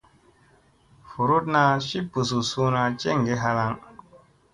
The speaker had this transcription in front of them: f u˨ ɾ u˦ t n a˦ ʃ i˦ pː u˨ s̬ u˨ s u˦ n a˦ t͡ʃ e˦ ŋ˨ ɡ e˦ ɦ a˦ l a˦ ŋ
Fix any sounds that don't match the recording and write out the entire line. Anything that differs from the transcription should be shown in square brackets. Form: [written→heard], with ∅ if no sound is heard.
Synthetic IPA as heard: f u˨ ɾ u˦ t n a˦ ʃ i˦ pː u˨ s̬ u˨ s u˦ n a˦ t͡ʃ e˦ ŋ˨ ɡ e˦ ɦ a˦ l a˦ ŋ